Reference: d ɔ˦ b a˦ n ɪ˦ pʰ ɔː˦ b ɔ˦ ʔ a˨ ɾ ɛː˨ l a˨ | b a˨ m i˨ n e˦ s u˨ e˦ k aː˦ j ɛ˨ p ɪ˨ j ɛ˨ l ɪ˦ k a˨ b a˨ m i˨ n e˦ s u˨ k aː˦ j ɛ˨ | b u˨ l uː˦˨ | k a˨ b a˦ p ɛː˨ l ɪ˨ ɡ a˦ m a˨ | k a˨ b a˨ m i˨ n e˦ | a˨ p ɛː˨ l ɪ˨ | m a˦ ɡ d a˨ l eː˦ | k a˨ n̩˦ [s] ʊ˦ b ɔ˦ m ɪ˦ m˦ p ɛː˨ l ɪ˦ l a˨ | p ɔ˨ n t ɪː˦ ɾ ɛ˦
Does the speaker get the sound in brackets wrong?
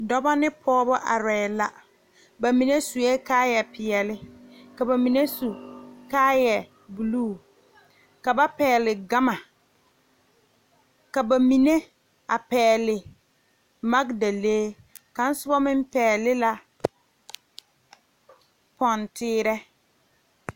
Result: no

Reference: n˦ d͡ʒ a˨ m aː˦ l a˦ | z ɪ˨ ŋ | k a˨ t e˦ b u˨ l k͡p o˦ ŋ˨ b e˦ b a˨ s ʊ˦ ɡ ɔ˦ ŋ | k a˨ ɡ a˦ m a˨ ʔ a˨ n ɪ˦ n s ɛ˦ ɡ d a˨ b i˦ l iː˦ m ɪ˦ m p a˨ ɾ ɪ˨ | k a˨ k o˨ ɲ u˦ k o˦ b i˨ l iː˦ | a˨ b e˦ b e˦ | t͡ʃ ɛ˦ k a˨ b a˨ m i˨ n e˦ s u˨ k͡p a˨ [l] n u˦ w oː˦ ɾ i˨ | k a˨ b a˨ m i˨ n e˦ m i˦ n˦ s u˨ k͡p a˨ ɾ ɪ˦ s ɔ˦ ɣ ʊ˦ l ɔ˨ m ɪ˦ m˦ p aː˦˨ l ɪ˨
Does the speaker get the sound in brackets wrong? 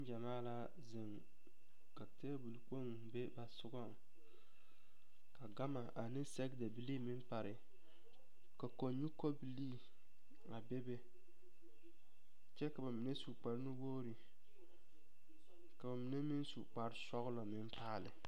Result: yes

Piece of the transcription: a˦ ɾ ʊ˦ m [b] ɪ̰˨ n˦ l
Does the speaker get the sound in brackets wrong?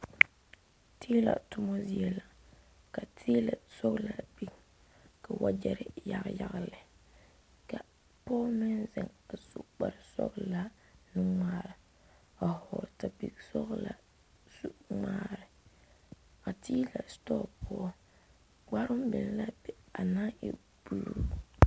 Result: no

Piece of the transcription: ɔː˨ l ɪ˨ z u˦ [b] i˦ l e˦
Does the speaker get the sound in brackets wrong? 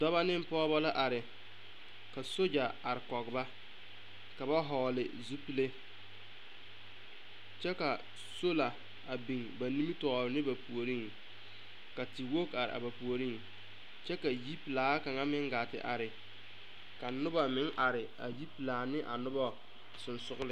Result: yes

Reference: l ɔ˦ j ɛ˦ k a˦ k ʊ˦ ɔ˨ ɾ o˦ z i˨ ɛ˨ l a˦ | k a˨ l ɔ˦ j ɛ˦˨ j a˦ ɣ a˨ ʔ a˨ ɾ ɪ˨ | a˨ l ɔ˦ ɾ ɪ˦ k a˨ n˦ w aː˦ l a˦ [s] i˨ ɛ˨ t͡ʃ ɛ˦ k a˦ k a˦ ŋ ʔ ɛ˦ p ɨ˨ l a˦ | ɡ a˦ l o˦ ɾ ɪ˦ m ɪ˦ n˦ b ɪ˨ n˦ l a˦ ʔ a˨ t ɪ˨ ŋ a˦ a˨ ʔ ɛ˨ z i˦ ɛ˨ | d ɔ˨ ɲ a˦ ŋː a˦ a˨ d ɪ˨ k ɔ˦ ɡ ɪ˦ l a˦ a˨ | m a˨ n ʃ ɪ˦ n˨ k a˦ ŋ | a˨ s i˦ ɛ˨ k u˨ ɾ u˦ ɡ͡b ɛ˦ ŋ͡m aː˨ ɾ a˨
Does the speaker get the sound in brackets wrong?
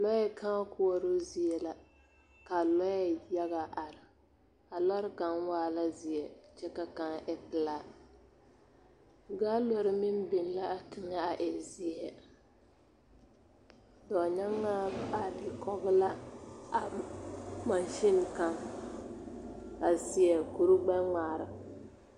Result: yes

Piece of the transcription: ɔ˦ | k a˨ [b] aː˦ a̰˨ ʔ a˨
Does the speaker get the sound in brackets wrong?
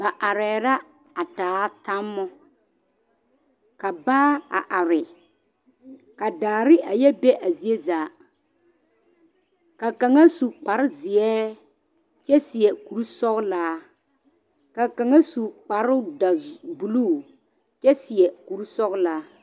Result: no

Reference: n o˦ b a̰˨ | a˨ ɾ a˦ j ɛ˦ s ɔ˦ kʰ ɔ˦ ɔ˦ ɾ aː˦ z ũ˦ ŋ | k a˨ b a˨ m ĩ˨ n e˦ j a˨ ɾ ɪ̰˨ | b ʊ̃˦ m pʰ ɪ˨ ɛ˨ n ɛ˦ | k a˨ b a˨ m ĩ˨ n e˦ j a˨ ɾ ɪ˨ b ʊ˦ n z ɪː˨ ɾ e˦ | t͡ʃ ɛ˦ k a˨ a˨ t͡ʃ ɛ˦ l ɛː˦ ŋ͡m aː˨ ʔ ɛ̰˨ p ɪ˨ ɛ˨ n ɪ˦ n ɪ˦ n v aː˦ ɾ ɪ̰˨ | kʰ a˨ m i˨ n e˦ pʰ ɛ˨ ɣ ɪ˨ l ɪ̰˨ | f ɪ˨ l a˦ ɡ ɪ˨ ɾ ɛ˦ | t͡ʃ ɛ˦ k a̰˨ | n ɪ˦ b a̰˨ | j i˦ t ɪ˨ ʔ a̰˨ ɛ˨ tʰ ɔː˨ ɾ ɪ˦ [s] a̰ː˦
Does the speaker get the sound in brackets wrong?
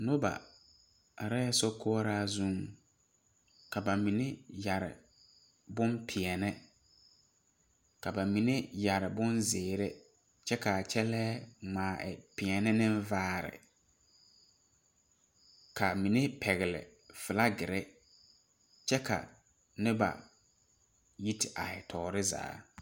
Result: yes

